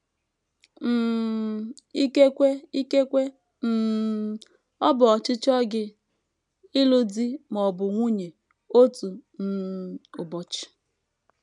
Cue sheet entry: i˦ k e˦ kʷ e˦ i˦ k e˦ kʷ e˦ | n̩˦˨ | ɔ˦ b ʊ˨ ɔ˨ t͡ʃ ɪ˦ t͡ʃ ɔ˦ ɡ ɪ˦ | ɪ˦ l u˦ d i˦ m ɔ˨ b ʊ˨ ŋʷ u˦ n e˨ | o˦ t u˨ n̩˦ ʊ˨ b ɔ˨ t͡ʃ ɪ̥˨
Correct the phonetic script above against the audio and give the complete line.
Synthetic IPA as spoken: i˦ k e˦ kʷ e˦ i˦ k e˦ kʷ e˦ | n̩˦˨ | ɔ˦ b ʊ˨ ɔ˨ t͡ʃ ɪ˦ t͡ʃ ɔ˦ ɡ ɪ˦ | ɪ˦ l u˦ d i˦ m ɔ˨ b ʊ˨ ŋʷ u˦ ɲ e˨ | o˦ t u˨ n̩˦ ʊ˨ b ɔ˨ t͡ʃ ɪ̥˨